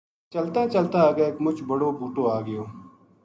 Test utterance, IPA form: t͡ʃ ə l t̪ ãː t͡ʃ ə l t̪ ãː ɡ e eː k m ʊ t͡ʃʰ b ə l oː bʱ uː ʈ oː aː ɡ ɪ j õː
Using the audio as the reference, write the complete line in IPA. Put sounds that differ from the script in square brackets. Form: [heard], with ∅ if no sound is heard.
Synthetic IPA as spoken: t͡ʃ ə l t̪ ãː t͡ʃ ə l t̪ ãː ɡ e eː k m ʊ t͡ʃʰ b ə [ɽ] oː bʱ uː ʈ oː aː ɡ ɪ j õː

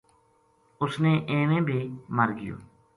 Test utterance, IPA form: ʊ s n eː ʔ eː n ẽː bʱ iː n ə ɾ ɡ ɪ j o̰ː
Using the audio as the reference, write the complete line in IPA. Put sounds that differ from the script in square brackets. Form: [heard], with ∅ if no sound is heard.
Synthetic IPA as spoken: ʊ s n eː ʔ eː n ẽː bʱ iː [m] ə ɾ ɡ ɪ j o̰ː

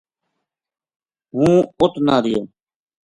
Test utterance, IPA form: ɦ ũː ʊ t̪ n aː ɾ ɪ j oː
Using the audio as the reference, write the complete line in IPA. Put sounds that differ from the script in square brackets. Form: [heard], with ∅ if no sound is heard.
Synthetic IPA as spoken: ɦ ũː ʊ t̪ n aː ɾ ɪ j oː

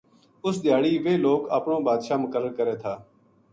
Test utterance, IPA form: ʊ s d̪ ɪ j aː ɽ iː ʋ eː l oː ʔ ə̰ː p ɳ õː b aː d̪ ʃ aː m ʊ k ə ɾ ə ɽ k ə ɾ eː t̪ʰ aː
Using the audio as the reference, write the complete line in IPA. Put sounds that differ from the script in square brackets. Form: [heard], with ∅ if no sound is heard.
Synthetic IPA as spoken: ʊ s d̪ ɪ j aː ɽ iː ʋ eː l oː [k] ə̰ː p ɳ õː b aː d̪ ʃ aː m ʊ k ə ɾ ə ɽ k ə ɾ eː t̪ʰ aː

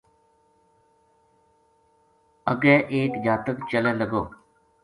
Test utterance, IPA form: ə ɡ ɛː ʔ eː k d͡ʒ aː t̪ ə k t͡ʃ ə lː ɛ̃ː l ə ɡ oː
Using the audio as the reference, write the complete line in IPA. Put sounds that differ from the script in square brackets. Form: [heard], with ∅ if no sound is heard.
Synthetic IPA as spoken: ə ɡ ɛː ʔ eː k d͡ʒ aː t̪ ə k t͡ʃ ə [l] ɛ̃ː l ə ɡ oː

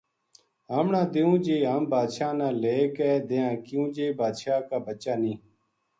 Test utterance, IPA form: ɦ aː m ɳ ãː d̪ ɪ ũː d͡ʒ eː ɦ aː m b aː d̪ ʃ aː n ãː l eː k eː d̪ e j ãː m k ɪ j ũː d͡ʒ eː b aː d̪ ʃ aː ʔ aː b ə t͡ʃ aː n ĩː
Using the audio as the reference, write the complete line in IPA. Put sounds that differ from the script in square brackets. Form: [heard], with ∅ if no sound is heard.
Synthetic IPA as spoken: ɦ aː m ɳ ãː d̪ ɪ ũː d͡ʒ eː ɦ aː m b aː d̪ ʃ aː n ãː l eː k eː d̪ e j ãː [∅] k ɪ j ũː d͡ʒ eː b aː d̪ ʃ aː [k] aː b ə t͡ʃ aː n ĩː

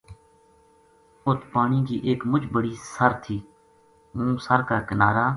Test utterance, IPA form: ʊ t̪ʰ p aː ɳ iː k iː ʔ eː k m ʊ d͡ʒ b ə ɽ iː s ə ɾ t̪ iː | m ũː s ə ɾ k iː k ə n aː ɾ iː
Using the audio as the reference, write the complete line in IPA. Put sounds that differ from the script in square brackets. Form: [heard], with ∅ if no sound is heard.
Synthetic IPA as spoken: ʊ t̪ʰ p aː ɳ iː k iː ʔ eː k m ʊ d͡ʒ b ə ɽ iː s ə ɾ [t̪ʰ] iː | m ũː s ə ɾ k [aː] k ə n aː ɾ [aː]

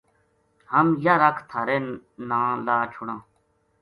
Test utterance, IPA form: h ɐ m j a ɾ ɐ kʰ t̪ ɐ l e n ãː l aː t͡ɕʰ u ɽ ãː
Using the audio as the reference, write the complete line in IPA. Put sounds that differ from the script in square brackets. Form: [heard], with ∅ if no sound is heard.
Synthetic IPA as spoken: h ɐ m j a ɾ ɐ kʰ [t̪ʰ] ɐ [ɾ] e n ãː l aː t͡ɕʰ u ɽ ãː

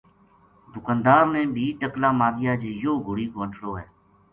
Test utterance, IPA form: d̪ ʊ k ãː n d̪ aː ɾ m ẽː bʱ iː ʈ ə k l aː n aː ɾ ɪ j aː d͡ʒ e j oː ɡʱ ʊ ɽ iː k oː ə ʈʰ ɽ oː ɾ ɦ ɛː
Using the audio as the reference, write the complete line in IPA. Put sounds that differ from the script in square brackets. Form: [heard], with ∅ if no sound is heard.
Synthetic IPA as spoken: d̪ ʊ k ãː n d̪ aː ɾ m ẽː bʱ iː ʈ ə k l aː [m] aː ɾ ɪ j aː d͡ʒ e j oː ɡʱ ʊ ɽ iː k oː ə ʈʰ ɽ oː [∅] ɦ ɛː

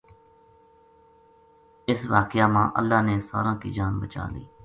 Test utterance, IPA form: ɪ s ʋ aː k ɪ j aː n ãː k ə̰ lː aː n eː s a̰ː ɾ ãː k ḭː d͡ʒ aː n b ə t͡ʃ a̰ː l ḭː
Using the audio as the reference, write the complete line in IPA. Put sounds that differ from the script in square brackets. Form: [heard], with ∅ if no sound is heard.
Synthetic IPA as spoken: ɪ s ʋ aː k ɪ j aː [m] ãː [ʔ] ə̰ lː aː n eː s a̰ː ɾ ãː k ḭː d͡ʒ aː n b ə t͡ʃ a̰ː l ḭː

